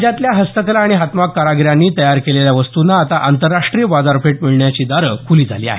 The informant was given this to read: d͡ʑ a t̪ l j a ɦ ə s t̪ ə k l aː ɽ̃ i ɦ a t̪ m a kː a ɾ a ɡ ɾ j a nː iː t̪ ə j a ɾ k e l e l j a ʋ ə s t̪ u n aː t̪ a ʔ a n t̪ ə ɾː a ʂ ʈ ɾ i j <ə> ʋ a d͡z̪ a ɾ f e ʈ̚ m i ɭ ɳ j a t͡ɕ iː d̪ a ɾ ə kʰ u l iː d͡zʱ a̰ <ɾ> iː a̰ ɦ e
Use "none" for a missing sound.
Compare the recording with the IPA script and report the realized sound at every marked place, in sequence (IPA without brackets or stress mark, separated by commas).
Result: ə, l